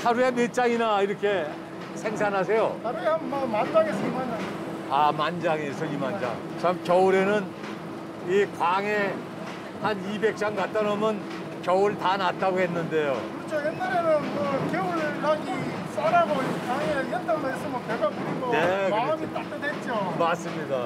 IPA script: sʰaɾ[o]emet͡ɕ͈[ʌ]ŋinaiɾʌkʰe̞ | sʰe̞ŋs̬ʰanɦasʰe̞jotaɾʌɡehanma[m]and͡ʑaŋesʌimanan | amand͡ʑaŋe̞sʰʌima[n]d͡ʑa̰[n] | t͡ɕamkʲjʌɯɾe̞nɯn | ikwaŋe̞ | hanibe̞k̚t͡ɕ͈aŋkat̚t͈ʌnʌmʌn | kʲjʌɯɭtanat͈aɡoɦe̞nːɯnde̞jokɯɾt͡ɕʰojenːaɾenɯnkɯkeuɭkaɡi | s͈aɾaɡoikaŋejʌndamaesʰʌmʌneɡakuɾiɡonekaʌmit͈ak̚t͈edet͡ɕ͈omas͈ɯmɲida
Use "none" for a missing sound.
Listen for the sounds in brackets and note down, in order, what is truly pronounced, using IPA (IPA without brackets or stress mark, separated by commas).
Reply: u, a, m, n, ŋ